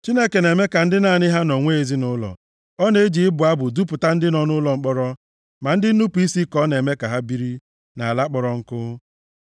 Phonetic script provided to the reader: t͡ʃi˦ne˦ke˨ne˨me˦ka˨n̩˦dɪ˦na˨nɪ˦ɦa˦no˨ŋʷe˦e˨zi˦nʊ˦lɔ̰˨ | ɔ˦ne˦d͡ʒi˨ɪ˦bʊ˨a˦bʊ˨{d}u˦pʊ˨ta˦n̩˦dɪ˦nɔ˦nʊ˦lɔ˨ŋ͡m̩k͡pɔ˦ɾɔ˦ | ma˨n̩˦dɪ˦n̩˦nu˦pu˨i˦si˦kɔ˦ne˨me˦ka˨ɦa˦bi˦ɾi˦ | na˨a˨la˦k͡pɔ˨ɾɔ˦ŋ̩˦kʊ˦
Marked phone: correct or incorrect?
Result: correct